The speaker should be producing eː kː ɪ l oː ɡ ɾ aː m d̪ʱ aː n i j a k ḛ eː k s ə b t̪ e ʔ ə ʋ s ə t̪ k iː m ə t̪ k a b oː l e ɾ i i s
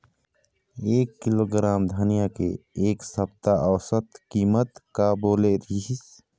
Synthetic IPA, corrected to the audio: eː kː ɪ l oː ɡ ɾ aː m d̪ʱ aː n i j a k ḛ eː k s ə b t̪ a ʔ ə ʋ s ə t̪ k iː m ə t̪ k a b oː l e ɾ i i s